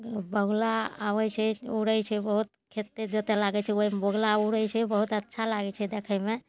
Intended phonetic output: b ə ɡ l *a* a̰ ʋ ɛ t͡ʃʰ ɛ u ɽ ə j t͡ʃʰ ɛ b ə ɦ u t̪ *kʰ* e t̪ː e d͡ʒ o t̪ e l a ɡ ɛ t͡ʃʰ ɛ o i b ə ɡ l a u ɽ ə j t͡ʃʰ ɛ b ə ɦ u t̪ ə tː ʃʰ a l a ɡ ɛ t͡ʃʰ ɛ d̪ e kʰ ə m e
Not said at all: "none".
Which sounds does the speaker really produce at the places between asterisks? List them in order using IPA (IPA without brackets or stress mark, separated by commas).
a, kʰ